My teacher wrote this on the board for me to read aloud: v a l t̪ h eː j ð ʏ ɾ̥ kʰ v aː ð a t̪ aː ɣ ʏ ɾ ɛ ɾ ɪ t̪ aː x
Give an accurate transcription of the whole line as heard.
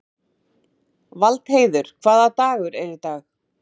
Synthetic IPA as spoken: v a l t̪ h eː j ð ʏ ɾ̥ kʰ v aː ð a t̪ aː ɣ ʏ ɾ ɛ ɾ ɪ t̪ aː x